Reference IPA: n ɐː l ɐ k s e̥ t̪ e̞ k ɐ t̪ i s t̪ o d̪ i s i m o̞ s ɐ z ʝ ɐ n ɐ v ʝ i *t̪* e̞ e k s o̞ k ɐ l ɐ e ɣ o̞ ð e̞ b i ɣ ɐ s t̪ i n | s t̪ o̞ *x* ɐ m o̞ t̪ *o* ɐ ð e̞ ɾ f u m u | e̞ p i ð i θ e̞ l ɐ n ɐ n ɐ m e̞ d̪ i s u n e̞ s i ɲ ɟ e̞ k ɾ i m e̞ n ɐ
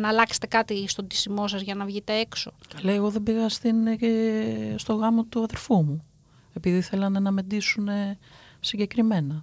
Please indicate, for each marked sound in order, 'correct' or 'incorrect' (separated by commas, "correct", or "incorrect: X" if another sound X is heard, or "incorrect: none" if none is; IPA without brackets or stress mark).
correct, incorrect: ɣ, incorrect: u